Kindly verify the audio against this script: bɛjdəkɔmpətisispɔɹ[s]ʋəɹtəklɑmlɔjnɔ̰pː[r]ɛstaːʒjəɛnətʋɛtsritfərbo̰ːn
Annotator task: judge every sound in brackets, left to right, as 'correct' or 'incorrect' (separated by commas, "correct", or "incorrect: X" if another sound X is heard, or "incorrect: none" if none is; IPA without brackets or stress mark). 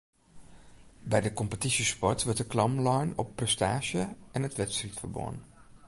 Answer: incorrect: t, correct